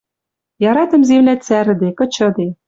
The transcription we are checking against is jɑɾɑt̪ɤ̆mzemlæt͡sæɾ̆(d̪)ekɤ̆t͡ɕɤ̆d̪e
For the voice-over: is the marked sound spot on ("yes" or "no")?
yes